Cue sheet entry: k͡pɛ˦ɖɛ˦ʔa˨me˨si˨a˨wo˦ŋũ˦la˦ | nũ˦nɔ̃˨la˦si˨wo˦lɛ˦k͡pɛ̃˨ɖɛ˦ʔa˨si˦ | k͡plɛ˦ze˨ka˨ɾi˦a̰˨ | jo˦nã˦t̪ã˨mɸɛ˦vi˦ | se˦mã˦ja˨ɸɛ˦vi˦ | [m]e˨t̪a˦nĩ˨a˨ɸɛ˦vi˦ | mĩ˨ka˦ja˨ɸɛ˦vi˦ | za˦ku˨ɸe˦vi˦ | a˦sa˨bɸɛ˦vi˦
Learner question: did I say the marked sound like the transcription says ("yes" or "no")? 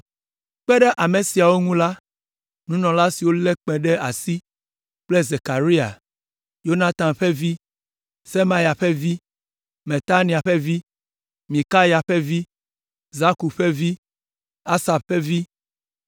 yes